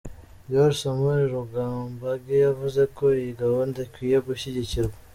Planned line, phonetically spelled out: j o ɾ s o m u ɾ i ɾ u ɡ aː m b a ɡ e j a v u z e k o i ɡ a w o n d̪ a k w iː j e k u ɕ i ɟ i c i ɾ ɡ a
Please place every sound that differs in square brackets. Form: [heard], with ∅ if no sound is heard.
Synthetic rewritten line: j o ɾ s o m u ɾ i ɾ u ɡ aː m b a ɡ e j a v u z e k o i ɡ a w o n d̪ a k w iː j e [ɡ] u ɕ i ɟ i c i ɾ ɡ a